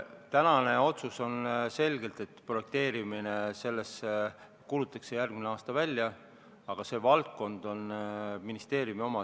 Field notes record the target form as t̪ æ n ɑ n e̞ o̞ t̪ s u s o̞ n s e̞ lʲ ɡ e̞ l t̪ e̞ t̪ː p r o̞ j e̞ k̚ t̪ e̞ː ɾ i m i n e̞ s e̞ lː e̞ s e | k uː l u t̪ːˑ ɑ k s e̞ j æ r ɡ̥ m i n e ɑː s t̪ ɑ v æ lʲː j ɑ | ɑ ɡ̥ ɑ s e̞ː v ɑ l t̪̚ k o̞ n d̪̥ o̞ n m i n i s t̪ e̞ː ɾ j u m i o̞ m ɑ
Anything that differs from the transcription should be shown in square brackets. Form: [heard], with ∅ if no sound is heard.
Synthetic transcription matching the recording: t̪ æ n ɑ n e̞ o̞ t̪ s u s o̞ n s e̞ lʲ ɡ e̞ l t̪ e̞ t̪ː p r o̞ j e̞ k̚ t̪ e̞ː ɾ i m i n e̞ s e̞ lː e̞ s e | k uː l u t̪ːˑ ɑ k s e̞ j æ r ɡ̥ m i n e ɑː s t̪ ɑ v æ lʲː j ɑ | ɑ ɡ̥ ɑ s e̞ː v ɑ l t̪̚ k o̞ n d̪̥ o̞ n m i n i s t̪ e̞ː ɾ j u m i o̞ m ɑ